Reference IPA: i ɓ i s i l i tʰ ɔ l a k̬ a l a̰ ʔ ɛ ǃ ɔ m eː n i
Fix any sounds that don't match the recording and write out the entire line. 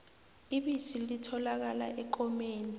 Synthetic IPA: i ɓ i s i l i tʰ ɔ l a k̬ a l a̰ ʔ ɛ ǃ ɔ m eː n i